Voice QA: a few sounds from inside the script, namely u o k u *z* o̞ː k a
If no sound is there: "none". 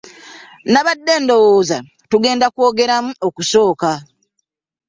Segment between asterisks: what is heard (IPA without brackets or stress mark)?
s